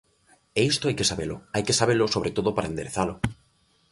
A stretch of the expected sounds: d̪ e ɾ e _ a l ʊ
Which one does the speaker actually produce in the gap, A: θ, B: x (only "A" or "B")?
A